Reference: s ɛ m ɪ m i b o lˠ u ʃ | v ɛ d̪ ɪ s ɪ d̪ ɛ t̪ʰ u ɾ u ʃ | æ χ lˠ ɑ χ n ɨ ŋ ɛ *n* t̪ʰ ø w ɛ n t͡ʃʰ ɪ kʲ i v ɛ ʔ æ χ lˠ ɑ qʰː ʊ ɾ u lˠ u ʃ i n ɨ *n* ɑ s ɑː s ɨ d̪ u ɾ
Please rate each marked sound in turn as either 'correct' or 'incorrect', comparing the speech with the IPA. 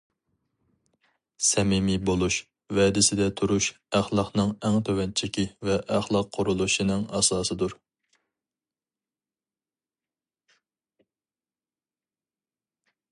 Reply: incorrect, incorrect

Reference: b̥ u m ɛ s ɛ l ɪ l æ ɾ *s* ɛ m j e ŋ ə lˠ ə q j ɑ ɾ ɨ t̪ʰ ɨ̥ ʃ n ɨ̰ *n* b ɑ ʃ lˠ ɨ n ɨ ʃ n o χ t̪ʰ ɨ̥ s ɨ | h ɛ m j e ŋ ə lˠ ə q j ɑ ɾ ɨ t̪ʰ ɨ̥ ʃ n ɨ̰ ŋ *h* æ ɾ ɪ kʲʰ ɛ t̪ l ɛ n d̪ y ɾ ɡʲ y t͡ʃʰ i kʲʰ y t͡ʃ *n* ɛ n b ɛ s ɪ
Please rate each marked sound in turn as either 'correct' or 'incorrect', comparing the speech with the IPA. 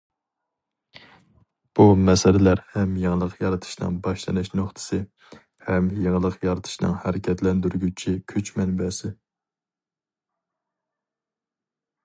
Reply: incorrect, incorrect, correct, incorrect

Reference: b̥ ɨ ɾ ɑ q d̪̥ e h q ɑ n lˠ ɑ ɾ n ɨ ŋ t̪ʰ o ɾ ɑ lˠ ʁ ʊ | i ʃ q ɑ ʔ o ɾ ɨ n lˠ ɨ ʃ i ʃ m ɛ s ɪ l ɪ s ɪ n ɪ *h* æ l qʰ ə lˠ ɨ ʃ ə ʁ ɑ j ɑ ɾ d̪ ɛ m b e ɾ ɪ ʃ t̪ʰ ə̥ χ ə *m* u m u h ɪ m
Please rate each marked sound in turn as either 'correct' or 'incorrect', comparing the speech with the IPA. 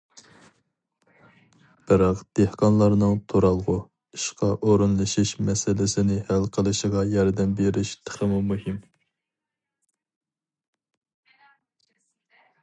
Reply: correct, correct

